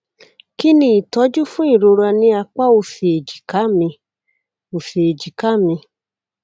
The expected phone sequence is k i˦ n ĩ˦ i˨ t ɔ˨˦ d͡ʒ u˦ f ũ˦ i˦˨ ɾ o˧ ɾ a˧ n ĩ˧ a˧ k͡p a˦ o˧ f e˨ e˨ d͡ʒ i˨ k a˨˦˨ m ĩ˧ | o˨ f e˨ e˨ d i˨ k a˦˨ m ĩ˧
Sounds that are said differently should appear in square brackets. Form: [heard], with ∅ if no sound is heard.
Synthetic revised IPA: k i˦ n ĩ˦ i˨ t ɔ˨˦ d͡ʒ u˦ f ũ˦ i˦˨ ɾ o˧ ɾ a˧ n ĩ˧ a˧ k͡p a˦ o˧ f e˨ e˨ d͡ʒ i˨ k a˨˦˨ m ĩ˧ | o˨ f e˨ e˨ [d͡ʒ] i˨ k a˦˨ m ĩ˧